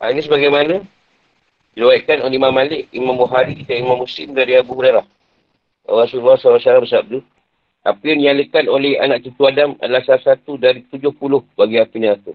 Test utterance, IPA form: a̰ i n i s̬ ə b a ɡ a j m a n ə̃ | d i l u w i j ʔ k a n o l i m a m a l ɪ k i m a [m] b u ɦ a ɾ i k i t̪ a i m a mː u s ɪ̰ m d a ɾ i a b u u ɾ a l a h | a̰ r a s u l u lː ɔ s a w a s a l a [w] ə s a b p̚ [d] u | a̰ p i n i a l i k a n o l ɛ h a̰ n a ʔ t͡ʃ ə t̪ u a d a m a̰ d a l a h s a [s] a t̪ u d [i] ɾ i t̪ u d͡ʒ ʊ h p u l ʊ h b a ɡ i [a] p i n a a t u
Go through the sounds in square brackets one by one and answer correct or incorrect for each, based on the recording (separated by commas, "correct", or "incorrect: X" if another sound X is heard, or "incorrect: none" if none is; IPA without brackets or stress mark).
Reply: correct, incorrect: b, correct, correct, incorrect: a, correct